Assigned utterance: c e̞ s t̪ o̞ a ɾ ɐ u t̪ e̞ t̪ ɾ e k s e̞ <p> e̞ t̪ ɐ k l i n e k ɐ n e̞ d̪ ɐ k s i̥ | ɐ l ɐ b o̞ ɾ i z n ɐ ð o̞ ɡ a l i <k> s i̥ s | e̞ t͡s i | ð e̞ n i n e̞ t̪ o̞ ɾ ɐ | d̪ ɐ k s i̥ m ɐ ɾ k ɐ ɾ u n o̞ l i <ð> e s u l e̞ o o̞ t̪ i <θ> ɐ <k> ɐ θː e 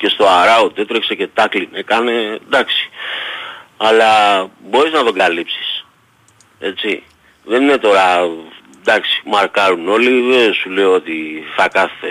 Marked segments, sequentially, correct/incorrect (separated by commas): incorrect, incorrect, correct, correct, correct